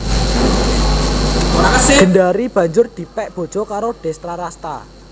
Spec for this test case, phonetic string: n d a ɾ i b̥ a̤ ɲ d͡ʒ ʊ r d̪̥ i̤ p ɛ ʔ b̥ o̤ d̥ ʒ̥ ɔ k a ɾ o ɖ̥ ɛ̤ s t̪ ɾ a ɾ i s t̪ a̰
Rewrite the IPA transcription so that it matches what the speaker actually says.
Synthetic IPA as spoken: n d a ɾ i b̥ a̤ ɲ d͡ʒ ʊ r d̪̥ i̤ p ɛ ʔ b̥ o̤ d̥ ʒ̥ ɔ k a ɾ o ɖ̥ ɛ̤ s t̪ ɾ a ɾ a s t̪ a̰